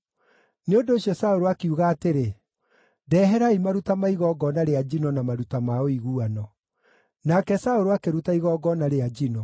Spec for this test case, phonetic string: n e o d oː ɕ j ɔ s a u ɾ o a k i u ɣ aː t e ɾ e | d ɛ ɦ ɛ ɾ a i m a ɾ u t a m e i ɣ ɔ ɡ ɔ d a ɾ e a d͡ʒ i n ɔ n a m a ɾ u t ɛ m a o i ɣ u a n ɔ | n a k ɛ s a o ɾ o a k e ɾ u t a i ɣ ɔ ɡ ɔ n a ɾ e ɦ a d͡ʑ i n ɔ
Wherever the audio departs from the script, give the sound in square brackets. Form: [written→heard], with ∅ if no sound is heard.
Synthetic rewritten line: n e o d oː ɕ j ɔ s a [u→o] ɾ o a k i u ɣ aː t e ɾ e | d ɛ ɦ ɛ ɾ a i m a ɾ u t a m [e→a] i ɣ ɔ ɡ ɔ [d→n] a ɾ e a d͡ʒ i n ɔ n a m a ɾ u t [ɛ→a] m a o i ɣ u a n ɔ | n a k ɛ s a o ɾ o a k e ɾ u t a i ɣ ɔ ɡ ɔ n a ɾ e [ɦ→∅] a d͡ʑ i n ɔ